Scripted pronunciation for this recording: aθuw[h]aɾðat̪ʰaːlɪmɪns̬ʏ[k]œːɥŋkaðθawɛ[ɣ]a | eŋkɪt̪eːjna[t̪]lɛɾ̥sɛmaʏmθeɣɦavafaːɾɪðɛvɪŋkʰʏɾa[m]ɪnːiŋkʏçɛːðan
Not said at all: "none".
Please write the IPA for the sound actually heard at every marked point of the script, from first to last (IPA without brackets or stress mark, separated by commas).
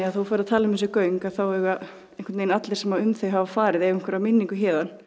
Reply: f, k, ɣ, t̪, m